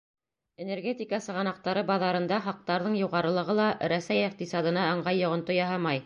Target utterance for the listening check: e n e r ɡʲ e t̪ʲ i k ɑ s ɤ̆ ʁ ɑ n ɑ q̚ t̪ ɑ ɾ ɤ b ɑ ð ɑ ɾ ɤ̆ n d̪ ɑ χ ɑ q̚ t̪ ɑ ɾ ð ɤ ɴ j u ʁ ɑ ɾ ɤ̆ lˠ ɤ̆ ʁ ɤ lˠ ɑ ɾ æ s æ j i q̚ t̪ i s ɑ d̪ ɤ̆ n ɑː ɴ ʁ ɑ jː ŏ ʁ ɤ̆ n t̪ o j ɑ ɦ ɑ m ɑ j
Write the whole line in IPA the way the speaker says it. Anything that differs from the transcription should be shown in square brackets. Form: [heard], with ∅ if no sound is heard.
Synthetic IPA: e n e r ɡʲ e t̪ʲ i k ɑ s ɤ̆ ʁ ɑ n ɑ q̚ t̪ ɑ ɾ ɤ b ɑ ð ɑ ɾ ɤ̆ n d̪ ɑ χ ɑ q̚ t̪ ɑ ɾ ð ɤ ɴ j u ʁ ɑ ɾ ɤ̆ lˠ ɤ̆ ʁ ɤ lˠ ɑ ɾ æ s æ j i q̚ t̪ i s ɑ d̪ ɤ̆ n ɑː ɴ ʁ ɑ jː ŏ ʁ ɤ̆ n t̪ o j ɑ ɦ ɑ m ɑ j